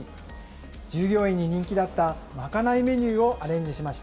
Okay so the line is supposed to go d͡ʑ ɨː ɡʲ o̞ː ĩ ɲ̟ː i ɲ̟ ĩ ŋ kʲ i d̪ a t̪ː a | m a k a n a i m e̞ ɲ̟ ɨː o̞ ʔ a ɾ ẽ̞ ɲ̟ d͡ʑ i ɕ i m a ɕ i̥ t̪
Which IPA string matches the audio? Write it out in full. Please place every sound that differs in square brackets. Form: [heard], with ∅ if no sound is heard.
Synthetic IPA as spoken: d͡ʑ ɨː ɡʲ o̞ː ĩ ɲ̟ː i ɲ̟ ĩ ŋ kʲ i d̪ a t̪ː a | m a k a n a i m e̞ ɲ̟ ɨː o̞ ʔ a ɾ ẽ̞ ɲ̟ d͡ʑ i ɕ i m a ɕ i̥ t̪